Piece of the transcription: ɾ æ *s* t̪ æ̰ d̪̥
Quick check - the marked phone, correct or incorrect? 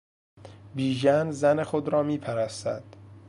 correct